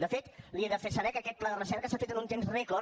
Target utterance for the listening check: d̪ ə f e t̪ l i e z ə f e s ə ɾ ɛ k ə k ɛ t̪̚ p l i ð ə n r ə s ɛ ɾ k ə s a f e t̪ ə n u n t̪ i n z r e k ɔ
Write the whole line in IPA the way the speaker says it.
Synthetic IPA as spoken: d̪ ə f e t̪ l i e ð ə f e s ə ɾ ɛ k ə k ɛ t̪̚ p l a ð ə r ə s ɛ ɾ k ə s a f e t̪ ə n u n t̪ e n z r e k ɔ